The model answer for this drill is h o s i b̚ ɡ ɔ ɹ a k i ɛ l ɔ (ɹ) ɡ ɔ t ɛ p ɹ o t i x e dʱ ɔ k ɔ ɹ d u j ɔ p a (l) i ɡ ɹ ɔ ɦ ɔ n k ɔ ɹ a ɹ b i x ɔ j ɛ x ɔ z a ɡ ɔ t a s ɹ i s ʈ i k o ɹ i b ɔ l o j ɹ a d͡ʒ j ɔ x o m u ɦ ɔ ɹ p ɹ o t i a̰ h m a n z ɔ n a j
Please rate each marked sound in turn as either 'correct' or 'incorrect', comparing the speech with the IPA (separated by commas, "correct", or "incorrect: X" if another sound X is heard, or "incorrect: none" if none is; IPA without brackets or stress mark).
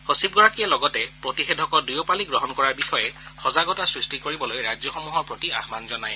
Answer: incorrect: none, correct